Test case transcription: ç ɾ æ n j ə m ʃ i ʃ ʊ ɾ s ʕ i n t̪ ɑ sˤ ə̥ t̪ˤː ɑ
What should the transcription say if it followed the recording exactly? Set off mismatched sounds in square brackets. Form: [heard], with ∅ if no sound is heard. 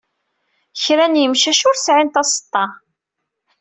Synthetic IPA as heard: ç ɾ æ n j ə m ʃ [æ] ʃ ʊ ɾ s ʕ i n t̪ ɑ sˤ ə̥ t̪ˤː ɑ